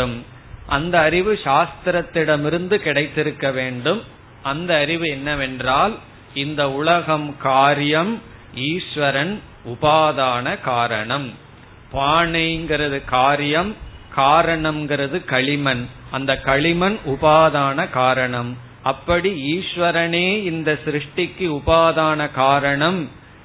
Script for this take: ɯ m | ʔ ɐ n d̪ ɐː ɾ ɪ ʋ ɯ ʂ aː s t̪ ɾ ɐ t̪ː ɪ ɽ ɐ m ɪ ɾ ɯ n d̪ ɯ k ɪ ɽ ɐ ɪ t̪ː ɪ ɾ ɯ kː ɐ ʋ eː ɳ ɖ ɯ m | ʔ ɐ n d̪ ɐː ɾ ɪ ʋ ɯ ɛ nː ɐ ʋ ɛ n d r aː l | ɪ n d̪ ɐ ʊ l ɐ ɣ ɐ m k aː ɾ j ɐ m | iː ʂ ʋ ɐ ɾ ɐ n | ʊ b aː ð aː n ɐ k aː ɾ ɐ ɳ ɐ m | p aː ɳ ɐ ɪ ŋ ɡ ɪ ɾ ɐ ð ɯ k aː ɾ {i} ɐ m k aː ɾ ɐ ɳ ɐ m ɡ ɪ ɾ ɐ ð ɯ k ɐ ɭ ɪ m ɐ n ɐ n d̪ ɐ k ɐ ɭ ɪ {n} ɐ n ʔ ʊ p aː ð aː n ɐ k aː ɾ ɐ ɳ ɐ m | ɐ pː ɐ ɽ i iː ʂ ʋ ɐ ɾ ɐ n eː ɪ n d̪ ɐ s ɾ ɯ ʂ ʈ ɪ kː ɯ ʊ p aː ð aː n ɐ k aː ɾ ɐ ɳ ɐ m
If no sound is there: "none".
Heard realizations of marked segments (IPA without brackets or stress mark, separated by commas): j, m